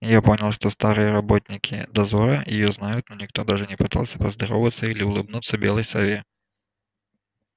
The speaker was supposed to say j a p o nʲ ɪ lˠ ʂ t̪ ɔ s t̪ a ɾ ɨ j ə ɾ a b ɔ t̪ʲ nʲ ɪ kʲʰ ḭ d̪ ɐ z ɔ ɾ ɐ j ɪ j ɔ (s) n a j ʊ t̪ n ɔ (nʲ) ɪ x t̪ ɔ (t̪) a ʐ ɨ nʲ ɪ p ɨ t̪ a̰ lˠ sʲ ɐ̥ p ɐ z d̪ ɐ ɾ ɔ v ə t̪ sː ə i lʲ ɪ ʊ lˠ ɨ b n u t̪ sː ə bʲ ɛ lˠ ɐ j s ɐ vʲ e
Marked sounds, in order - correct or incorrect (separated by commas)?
incorrect, correct, incorrect